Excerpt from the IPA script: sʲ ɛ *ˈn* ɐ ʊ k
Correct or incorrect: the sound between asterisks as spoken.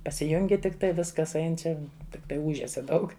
incorrect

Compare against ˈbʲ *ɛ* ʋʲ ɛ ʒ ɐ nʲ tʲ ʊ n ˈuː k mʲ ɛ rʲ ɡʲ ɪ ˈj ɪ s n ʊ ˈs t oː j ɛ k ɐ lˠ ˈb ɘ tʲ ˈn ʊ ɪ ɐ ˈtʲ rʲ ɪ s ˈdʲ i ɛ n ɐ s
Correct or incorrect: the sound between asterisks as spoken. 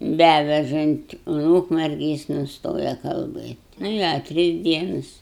incorrect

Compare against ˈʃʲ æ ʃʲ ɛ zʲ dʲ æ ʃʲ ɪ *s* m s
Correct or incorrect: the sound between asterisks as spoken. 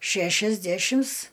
incorrect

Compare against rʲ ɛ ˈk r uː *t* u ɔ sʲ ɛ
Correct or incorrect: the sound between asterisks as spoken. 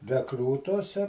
correct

